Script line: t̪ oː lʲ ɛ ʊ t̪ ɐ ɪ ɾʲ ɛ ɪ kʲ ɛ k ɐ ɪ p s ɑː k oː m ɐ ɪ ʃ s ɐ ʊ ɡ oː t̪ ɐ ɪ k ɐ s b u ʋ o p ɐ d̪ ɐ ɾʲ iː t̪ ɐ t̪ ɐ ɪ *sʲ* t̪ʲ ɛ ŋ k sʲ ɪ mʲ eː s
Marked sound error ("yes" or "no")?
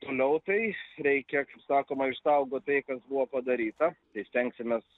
no